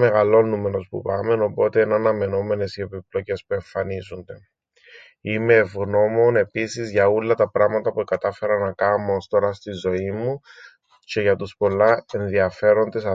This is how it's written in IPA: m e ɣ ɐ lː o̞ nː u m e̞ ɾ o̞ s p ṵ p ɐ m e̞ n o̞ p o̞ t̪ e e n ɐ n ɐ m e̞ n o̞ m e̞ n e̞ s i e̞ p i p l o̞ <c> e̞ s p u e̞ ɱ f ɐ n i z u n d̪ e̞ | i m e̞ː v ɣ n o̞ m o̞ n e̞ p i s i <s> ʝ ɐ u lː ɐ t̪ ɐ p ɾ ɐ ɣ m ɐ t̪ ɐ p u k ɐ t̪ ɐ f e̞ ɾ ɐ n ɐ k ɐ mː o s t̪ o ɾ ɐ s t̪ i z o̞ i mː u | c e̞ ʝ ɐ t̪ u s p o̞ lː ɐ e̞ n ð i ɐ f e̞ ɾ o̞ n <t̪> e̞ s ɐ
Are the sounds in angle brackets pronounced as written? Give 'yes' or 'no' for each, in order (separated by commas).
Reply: yes, no, no